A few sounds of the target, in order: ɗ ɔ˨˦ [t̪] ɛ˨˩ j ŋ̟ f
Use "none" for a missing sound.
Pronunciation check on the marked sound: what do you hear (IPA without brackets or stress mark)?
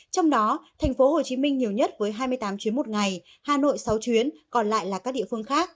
t̪ʰ